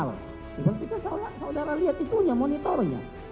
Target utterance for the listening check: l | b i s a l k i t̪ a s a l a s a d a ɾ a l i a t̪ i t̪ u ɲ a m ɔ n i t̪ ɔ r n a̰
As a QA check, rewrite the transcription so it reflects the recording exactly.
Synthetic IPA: l | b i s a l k i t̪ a s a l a s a d a ɾ a l i a t̪ i t̪ u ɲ a m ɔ n i t̪ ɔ r ɲ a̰